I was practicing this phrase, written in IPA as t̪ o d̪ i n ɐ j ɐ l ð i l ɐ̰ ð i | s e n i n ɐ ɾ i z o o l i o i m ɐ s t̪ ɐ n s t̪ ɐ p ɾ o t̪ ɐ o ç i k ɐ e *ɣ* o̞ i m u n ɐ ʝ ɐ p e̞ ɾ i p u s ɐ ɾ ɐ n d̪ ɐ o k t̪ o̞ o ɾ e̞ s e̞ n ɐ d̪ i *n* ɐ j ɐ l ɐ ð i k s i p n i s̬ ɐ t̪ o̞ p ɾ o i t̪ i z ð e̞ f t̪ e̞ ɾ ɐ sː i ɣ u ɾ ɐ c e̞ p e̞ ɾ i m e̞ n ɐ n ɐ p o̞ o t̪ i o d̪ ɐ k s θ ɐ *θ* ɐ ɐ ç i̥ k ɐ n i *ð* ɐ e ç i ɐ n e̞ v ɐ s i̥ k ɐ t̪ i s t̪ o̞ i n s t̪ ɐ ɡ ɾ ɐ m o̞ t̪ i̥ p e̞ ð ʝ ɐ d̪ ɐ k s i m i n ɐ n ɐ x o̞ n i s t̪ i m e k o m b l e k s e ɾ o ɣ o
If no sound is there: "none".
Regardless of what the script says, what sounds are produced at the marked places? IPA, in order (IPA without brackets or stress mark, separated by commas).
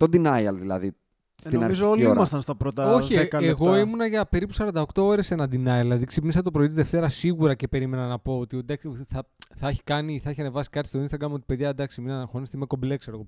ɣ, n, θ, θ